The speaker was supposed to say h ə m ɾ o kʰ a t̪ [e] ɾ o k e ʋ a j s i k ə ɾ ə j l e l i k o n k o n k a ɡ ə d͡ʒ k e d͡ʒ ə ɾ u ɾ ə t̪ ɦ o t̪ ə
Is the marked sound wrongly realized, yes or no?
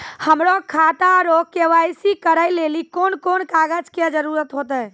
yes